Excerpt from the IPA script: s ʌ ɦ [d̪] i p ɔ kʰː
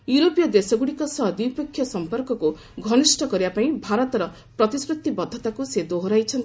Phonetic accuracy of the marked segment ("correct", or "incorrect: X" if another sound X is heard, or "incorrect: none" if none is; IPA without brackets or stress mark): correct